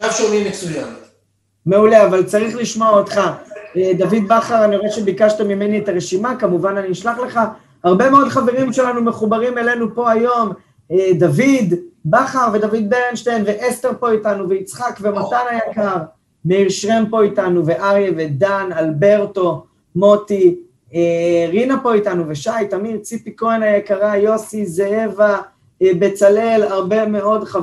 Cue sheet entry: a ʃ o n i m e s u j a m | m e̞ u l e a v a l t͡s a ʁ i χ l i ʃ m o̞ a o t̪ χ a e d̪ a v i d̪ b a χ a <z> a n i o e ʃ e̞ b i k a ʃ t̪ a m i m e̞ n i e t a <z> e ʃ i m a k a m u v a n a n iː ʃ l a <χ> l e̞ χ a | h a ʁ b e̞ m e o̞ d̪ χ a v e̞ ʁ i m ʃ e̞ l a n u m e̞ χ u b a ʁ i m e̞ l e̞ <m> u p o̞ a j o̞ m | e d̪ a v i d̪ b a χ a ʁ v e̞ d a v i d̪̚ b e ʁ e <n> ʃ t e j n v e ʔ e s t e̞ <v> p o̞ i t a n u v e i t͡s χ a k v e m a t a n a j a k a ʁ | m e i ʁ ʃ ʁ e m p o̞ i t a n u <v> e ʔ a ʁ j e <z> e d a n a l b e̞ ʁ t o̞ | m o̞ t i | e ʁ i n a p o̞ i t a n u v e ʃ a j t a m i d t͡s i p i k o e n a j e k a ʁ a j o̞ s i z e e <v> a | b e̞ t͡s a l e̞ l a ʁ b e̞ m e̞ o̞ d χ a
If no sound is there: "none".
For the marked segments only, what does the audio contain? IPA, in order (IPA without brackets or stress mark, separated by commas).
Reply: ʁ, ʁ, χ, n, n, ʁ, v, v, v